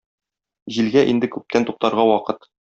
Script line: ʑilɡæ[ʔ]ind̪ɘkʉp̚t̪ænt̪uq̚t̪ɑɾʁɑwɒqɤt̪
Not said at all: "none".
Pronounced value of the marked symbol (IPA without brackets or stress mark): ʔ